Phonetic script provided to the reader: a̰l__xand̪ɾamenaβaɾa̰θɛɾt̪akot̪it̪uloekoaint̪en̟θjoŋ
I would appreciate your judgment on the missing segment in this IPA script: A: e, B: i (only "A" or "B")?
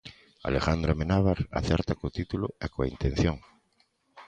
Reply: A